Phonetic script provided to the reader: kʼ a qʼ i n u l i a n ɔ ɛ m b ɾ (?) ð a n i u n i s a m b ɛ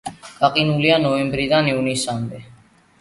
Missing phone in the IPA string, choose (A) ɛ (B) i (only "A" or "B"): B